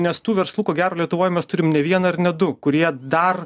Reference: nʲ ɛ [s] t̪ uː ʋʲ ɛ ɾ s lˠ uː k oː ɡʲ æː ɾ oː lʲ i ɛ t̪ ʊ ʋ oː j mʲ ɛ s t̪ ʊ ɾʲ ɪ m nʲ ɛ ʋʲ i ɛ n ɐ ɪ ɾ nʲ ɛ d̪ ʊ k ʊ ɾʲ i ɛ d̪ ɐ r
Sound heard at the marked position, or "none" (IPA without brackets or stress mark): s